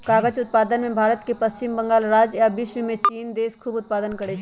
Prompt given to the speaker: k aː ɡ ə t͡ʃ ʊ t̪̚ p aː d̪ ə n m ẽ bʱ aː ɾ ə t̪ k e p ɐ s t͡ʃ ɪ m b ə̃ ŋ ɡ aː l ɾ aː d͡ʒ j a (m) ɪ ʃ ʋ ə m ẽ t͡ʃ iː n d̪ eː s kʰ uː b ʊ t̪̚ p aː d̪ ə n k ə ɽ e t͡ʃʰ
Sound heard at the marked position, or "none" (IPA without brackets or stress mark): b